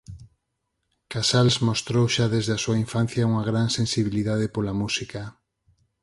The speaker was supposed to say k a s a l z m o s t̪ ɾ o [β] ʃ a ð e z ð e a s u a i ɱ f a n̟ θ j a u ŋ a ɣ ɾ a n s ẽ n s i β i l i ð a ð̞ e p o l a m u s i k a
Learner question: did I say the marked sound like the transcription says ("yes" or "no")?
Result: no